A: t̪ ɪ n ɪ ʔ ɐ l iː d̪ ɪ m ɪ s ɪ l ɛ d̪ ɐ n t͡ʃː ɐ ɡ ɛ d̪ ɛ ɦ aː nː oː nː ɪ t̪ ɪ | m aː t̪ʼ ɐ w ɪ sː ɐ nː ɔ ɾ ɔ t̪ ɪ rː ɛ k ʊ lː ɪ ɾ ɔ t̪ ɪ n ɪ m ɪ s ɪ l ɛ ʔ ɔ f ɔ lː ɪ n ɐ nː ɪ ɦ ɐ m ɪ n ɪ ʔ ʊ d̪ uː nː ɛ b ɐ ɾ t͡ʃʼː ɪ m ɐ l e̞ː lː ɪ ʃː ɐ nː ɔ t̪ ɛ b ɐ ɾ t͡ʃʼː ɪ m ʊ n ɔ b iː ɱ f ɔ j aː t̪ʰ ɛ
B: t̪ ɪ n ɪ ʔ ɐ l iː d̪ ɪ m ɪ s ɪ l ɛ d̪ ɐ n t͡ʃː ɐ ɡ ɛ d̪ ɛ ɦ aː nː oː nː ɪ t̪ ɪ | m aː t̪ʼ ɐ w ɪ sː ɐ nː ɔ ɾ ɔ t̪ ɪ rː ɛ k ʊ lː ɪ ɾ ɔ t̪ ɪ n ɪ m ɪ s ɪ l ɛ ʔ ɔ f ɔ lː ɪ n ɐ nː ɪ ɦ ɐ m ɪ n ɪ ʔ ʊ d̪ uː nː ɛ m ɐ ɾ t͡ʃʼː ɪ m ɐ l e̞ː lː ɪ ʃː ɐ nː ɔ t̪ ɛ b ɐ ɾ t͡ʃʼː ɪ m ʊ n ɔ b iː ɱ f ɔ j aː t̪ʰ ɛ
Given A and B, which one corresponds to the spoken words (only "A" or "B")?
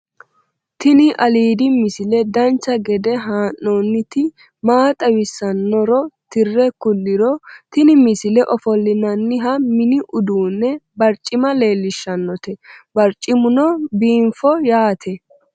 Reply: A